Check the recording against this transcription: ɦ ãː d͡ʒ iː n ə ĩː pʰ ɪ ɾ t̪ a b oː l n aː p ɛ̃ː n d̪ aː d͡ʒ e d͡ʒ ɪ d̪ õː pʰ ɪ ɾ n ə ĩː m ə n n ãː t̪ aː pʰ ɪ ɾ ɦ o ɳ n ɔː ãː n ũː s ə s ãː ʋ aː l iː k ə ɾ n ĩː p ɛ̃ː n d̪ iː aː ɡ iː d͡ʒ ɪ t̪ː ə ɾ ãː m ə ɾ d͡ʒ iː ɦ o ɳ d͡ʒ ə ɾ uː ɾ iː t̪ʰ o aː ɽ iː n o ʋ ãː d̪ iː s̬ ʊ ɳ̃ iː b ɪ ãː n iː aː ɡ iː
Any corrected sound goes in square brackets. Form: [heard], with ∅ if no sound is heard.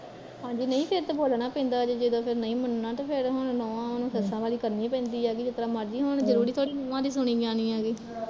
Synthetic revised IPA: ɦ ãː d͡ʒ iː n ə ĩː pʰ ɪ ɾ t̪ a b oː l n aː p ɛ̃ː n d̪ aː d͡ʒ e d͡ʒ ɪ d̪ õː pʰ ɪ ɾ n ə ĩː m ə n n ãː t̪ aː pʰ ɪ ɾ ɦ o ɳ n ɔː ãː n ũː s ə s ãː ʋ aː l iː k ə ɾ n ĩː p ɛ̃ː n d̪ iː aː ɡ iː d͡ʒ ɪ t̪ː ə ɾ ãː m ə ɾ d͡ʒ iː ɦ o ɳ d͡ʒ ə ɾ uː ɾ iː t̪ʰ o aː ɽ iː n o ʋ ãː d̪ iː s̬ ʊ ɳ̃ iː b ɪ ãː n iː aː ɡ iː